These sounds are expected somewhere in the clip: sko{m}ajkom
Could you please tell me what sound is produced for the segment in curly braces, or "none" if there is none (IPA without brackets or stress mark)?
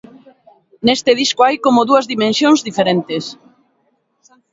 none